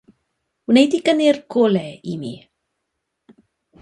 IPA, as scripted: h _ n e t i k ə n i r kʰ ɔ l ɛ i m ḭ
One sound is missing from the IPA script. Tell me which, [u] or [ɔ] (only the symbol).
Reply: u